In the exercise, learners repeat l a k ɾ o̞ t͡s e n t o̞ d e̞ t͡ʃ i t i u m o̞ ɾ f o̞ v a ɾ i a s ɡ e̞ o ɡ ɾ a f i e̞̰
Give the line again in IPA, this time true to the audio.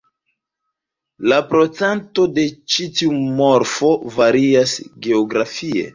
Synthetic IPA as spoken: l a p ɾ o̞ t͡s e n t o̞ d e̞ t͡ʃ i t i u m o̞ ɾ f o̞ v a ɾ i a s ɡ e̞ o ɡ ɾ a f i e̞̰